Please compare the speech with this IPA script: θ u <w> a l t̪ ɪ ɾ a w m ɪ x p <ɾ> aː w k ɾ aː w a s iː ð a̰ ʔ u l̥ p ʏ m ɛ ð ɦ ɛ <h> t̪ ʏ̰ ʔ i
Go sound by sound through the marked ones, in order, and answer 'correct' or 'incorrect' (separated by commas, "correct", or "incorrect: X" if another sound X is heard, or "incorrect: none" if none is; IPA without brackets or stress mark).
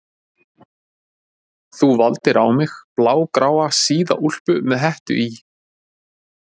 incorrect: v, incorrect: l, correct